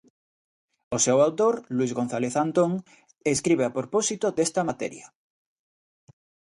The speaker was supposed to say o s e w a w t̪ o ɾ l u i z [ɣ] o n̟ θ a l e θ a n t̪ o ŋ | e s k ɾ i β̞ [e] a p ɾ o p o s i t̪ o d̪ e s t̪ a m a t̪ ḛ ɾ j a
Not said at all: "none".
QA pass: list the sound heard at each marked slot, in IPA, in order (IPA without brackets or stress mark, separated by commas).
ɣ, e